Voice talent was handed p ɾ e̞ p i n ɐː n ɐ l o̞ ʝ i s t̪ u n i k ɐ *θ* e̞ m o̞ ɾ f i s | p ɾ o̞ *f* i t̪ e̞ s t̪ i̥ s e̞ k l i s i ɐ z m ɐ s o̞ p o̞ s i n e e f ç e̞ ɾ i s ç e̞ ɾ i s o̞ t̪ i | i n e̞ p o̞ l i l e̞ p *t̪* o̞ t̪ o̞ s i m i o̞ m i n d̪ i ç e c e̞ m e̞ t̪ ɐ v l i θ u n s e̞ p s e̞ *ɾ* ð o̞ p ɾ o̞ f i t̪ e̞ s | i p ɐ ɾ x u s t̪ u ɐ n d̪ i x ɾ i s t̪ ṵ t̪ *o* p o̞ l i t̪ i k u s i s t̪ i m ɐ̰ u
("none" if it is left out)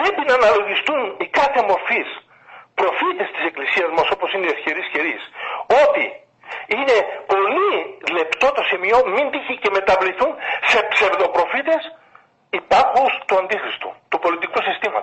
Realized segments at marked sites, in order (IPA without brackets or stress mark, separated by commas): θ, f, t̪, ɾ, u